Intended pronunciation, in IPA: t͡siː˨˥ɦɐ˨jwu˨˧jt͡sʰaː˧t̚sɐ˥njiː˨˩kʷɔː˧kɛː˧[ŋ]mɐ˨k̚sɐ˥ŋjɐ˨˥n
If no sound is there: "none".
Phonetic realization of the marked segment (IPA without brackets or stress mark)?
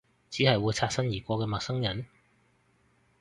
none